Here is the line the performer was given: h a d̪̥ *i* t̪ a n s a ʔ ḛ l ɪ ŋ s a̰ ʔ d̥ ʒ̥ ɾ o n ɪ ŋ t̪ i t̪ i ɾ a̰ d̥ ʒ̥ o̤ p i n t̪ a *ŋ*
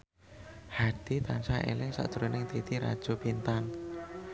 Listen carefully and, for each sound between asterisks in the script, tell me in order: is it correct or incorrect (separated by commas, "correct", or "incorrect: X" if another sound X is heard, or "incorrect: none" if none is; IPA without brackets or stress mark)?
correct, incorrect: n